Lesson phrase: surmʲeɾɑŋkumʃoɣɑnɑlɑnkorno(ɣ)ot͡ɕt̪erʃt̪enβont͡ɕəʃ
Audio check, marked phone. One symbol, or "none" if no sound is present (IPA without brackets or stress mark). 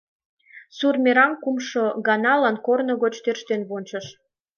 ɣ